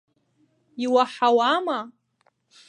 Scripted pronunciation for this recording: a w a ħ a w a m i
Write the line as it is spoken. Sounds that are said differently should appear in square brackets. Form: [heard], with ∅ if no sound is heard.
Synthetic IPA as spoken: [i] w a ħ a w a m [a]